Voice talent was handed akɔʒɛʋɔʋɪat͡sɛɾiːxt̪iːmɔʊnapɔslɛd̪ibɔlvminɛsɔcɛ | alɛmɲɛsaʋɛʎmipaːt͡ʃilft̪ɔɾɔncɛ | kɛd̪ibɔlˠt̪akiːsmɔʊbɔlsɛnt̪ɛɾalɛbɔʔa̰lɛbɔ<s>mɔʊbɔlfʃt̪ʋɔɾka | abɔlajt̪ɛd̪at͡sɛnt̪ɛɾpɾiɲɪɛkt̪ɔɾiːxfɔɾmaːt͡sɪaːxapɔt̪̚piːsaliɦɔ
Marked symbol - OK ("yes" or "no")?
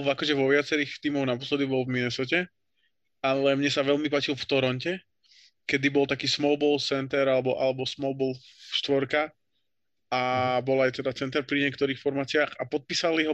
yes